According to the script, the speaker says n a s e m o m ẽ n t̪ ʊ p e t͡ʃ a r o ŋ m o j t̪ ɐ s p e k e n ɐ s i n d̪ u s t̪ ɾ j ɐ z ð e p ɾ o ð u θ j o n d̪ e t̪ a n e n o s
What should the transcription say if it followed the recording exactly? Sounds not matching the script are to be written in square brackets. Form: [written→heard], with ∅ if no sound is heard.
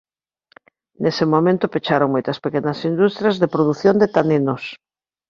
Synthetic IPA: n [a→e] s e m o m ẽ n t̪ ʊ p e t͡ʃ a [r→ɾ] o ŋ m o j t̪ ɐ s p e k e n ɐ s i n d̪ u s t̪ ɾ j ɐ z ð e p ɾ o ð u θ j o n d̪ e t̪ a n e n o s

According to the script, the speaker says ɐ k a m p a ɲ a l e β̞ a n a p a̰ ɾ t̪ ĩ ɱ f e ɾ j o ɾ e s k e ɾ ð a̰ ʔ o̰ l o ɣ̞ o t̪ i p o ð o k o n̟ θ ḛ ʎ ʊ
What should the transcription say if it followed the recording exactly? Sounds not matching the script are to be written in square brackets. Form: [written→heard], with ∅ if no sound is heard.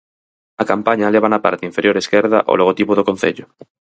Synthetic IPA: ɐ k a m p a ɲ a l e β̞ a n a p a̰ ɾ t̪ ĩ ɱ f e ɾ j o ɾ e s k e ɾ ð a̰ ʔ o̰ l o ɣ̞ o t̪ i p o ð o k o n̟ θ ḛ ʎ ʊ

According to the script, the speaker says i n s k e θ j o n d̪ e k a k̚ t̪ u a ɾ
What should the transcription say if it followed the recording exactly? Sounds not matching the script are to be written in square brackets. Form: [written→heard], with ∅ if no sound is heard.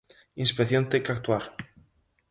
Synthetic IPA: i n s [k→p] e θ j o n [d̪→t̪] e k a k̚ t̪ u a ɾ

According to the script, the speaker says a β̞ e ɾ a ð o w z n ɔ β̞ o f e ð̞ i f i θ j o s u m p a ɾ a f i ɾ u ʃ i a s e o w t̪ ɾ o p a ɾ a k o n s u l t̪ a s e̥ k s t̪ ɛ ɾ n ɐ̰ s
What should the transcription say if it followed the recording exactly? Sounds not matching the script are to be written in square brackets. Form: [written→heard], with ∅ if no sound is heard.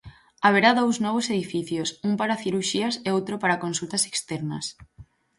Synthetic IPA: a β̞ e ɾ a ð o w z n ɔ β̞ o [f→s] e ð̞ i f i θ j o s u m p a ɾ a [f→θ] i ɾ u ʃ i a s e o w t̪ ɾ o p a ɾ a k o n s u l t̪ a s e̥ k s t̪ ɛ ɾ n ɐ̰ s

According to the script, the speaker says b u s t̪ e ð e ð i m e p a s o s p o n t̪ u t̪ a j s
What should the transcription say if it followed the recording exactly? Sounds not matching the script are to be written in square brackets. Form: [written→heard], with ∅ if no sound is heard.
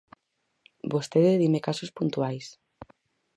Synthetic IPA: b [u→o] s t̪ e ð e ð i m e [p→k] a s o s p [o→u] n t̪ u [t̪→∅] a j s

